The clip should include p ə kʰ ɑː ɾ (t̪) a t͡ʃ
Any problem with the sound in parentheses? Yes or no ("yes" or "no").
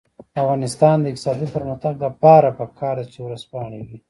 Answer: yes